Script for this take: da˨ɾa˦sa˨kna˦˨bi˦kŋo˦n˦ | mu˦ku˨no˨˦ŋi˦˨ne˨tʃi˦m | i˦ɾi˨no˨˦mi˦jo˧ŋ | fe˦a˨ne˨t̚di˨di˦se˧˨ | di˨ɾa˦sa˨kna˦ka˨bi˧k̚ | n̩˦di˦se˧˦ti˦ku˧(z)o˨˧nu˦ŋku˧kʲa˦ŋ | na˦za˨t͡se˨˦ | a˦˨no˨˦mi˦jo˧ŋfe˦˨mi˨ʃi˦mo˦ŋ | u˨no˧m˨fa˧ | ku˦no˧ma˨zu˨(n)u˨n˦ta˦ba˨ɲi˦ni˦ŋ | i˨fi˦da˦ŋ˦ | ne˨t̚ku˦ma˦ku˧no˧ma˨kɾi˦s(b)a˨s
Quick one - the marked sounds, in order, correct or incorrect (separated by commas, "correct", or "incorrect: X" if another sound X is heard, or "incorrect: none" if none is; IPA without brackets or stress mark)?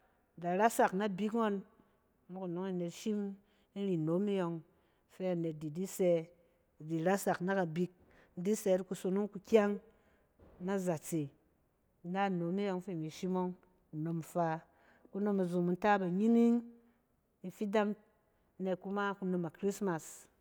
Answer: incorrect: s, incorrect: m, incorrect: m